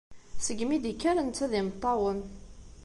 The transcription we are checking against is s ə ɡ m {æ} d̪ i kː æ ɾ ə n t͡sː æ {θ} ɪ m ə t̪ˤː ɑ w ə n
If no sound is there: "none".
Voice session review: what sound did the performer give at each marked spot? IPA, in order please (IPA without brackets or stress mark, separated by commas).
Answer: i, ð